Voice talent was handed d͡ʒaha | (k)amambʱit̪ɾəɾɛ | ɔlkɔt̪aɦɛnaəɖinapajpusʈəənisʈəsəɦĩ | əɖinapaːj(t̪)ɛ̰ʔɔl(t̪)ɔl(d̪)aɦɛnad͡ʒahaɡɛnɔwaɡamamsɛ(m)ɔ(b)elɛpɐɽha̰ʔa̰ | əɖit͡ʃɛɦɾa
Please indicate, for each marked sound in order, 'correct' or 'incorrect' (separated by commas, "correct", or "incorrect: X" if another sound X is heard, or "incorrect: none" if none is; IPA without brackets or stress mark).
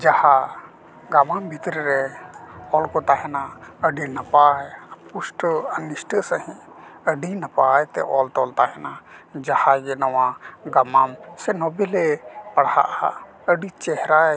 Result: incorrect: ɡ, correct, correct, incorrect: t̪, incorrect: n, correct